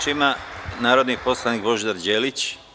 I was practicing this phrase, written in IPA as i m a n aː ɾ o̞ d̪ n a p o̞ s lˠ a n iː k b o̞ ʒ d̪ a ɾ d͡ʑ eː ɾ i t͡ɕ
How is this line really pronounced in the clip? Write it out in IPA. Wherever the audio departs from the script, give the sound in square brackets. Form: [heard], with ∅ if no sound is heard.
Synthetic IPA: i m a n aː ɾ o̞ d̪ n [i] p o̞ s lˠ a n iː k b o̞ ʒ d̪ a ɾ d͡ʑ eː [l] i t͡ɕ